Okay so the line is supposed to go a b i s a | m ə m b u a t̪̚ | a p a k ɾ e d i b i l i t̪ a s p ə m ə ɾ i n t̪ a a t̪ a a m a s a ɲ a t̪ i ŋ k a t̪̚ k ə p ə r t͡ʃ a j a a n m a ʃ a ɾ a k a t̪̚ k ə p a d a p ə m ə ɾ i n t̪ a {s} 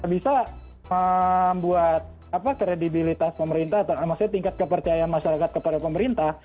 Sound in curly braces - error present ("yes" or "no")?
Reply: yes